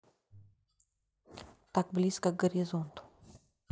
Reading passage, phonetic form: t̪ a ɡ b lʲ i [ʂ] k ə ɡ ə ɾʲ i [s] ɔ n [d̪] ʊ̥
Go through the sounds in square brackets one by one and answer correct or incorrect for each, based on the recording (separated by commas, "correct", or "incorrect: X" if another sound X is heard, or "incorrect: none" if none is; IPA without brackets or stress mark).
incorrect: s, incorrect: z, incorrect: t̪